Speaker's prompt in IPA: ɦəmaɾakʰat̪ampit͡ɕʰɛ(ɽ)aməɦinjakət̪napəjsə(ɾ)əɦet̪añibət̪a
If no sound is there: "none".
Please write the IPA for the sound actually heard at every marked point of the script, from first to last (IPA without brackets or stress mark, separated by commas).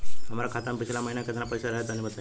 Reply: l, ɾ